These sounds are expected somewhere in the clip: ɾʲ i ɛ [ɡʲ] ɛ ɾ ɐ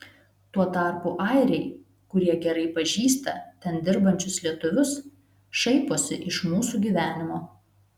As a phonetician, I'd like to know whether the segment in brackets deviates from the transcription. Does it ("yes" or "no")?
no